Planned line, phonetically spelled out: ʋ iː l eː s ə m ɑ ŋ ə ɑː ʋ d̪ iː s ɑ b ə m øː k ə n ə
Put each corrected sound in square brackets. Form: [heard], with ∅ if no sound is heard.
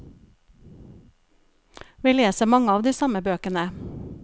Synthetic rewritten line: ʋ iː l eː s ə m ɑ ŋ ə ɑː ʋ d̪ iː s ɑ [m] ə [b] øː k ə n ə